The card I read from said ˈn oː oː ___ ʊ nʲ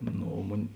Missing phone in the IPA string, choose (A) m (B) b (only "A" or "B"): A